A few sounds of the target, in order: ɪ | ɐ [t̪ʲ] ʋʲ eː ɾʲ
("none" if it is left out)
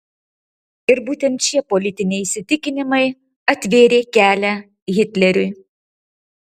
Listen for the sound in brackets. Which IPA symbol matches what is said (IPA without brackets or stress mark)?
t̪ʲ